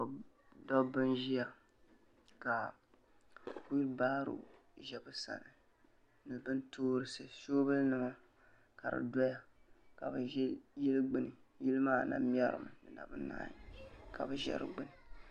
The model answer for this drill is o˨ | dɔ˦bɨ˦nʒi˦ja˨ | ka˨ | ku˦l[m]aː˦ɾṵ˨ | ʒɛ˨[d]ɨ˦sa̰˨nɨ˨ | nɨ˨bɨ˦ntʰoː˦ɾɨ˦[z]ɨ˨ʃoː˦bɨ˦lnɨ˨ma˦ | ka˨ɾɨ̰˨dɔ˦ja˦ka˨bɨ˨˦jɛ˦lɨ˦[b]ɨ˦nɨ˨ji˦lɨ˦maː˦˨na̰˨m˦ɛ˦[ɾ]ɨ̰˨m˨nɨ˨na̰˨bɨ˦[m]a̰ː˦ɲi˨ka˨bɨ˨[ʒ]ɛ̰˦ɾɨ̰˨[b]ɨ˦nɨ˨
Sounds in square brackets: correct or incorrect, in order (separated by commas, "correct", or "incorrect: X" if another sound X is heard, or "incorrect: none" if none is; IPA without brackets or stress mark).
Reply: incorrect: b, incorrect: b, incorrect: s, incorrect: ɡ͡b, correct, incorrect: n, correct, incorrect: ɡ͡b